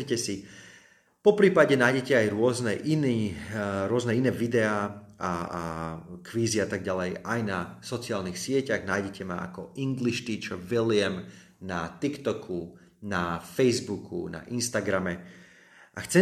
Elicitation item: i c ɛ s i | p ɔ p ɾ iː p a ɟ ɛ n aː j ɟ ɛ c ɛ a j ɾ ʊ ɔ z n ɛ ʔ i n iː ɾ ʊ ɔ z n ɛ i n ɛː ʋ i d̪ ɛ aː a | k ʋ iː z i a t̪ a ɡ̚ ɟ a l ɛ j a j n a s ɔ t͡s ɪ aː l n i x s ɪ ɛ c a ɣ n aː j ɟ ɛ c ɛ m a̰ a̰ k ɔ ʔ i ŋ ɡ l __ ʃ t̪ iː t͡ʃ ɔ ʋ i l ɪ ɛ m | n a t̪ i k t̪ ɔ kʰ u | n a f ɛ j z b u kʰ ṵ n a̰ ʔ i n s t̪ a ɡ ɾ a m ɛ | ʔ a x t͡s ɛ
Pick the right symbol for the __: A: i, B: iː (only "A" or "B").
A